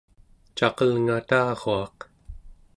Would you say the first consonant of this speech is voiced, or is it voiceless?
voiceless